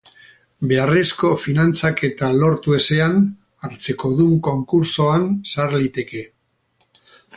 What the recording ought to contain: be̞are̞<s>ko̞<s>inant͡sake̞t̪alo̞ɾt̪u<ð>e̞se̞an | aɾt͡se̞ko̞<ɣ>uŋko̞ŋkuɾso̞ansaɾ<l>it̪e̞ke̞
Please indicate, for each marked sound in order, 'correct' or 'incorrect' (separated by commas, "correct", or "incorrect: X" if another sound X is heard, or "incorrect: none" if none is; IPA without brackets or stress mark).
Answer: correct, incorrect: f, incorrect: none, incorrect: ð, correct